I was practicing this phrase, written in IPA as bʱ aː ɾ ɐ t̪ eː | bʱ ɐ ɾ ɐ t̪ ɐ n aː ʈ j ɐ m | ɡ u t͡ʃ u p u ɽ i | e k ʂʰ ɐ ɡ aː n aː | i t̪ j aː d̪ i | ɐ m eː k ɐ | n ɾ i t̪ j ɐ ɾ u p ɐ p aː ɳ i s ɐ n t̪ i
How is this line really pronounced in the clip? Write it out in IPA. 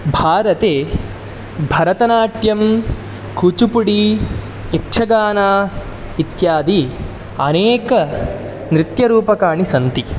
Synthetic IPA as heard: bʱ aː ɾ ɐ t̪ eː | bʱ ɐ ɾ ɐ t̪ ɐ n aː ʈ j ɐ m | k u t͡ʃ u p u ɽ i | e k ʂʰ ɐ ɡ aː n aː | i t̪ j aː d̪ i | ɐ n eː k ɐ | n ɾ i t̪ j ɐ ɾ uː p ɐ k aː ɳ i s ɐ n t̪ i